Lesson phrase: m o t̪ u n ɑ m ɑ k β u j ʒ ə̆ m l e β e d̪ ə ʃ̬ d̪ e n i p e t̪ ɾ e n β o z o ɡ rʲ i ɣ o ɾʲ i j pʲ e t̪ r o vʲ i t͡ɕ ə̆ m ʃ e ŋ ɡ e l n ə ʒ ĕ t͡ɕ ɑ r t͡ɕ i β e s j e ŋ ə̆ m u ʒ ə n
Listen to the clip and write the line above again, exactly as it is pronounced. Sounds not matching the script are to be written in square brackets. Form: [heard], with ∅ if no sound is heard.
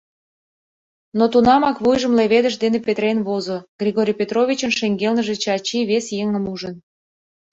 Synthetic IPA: [n] o t̪ u n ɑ m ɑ k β u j ʒ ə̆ m l e β e d̪ ə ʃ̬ d̪ e n [e] p e t̪ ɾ e n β o z o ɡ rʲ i ɣ o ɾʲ i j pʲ e t̪ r o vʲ i t͡ɕ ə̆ [n] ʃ e ŋ ɡ e l n ə ʒ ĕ t͡ɕ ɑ [∅] t͡ɕ i β e s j e ŋ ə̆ m u ʒ ə n